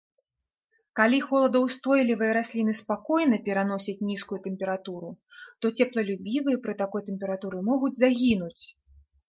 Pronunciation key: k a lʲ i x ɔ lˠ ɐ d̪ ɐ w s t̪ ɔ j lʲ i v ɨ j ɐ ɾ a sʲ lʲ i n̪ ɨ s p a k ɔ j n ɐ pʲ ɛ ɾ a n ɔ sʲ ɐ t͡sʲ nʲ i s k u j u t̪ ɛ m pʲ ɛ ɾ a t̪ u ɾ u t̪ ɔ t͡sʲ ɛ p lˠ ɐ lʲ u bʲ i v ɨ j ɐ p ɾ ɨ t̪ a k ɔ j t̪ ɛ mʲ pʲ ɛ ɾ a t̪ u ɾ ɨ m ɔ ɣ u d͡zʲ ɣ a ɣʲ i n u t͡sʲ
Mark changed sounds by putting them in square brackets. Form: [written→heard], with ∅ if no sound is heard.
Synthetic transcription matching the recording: k a lʲ i x ɔ lˠ ɐ d̪ ɐ w s t̪ ɔ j lʲ i v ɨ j ɐ ɾ a sʲ lʲ i n̪ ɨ s p a k ɔ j n ɐ pʲ ɛ ɾ a n ɔ sʲ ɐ t͡sʲ nʲ i s k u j u t̪ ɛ m pʲ ɛ ɾ a t̪ u ɾ u t̪ ɔ t͡sʲ ɛ p lˠ ɐ lʲ u bʲ i v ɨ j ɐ p ɾ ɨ t̪ a k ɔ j t̪ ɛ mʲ pʲ ɛ ɾ a t̪ u ɾ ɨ m ɔ ɣ u d͡zʲ [ɣ→z] a ɣʲ i n u t͡sʲ

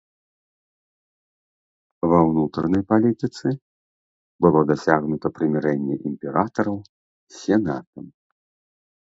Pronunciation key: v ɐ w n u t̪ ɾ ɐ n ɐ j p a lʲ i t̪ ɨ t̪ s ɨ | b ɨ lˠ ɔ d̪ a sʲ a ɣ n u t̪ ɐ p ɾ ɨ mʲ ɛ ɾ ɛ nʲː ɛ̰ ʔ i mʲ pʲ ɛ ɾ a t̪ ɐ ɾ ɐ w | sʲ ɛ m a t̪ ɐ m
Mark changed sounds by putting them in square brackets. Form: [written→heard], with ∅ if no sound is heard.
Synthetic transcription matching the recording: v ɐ w n u t̪ ɾ ɐ n ɐ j p a lʲ i t̪ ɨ t̪ s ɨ | b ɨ lˠ ɔ d̪ a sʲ a ɣ n u t̪ ɐ p ɾ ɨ mʲ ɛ ɾ ɛ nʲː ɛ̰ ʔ i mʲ pʲ ɛ ɾ a t̪ ɐ ɾ ɐ w | sʲ ɛ [m→n] a t̪ ɐ m

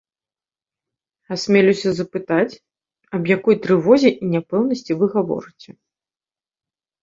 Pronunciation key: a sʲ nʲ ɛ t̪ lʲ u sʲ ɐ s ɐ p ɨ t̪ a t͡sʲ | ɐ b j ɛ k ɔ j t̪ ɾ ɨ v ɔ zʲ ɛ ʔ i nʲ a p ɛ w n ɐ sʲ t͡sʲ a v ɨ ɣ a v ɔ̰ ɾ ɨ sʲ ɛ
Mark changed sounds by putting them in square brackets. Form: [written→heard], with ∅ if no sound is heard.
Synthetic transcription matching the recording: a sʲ [nʲ→mʲ] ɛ [t̪→∅] lʲ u sʲ ɐ [s→z] ɐ p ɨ t̪ a t͡sʲ | ɐ b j [ɛ→a] k ɔ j t̪ ɾ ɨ v ɔ zʲ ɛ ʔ i nʲ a p ɛ w n ɐ sʲ t͡sʲ [a→i] v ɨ ɣ a v ɔ̰ ɾ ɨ [sʲ→t͡sʲ] ɛ

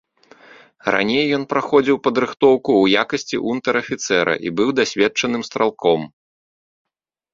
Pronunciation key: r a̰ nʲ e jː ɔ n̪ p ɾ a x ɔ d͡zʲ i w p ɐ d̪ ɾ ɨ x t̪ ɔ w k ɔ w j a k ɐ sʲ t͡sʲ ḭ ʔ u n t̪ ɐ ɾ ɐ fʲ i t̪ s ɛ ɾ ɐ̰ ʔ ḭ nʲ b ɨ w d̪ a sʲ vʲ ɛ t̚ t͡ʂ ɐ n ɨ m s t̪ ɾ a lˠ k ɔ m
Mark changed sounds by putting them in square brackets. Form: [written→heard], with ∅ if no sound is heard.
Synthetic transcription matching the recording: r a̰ nʲ e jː ɔ n̪ p ɾ a x ɔ d͡zʲ i w p ɐ d̪ ɾ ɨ x t̪ ɔ w k [ɔ→u] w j a k ɐ sʲ t͡sʲ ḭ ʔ u n t̪ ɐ ɾ ɐ fʲ i t̪ s ɛ ɾ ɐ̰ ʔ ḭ [nʲ→∅] b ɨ w d̪ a sʲ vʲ ɛ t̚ t͡ʂ ɐ n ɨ m s t̪ ɾ a lˠ k ɔ m

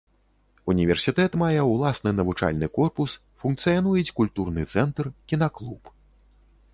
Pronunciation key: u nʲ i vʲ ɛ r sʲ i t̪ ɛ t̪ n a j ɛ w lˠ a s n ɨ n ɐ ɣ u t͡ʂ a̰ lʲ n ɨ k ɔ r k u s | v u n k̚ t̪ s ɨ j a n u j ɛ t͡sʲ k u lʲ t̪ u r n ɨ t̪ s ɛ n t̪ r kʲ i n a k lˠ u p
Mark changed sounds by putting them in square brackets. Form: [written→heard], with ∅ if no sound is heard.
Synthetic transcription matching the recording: u nʲ i vʲ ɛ r sʲ i t̪ ɛ t̪ [n→m] a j ɛ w lˠ a s n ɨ n ɐ [ɣ→v] u t͡ʂ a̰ lʲ n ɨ k ɔ r [k→p] u s | [v→f] u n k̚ t̪ s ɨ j a n u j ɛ t͡sʲ k u lʲ t̪ u r n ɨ t̪ s ɛ n t̪ r kʲ i n a k lˠ u p

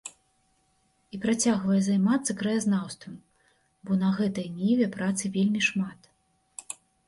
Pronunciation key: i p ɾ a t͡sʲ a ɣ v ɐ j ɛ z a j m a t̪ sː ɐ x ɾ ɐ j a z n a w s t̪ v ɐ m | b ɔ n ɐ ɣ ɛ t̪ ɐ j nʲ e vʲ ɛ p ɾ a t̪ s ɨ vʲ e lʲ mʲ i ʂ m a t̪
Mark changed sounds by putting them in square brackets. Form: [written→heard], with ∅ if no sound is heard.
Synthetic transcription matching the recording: i p ɾ a t͡sʲ a ɣ v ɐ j ɛ z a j m a t̪ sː ɐ [x→k] ɾ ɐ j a z n a w s t̪ v ɐ m | b ɔ n ɐ ɣ ɛ t̪ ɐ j nʲ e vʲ ɛ p ɾ a t̪ s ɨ vʲ e lʲ mʲ i ʂ m a t̪

